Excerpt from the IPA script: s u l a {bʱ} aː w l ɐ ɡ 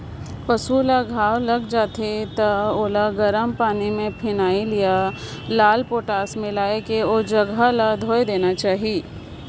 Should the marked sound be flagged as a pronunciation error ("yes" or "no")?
yes